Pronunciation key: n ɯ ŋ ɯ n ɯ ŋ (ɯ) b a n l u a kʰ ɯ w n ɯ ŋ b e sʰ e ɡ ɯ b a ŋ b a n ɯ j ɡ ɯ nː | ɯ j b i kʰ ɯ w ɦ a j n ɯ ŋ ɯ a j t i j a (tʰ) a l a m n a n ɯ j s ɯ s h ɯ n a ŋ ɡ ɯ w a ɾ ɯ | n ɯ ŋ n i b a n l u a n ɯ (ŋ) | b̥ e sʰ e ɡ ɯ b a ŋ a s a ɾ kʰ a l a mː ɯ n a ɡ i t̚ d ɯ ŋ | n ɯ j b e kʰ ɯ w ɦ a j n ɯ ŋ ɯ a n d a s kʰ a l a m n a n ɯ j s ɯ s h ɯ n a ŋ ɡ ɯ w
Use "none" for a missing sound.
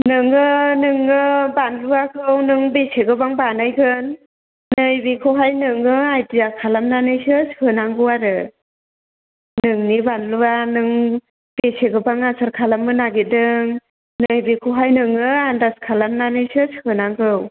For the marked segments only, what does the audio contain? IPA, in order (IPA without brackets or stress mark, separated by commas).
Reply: ɯ, kʰ, ŋ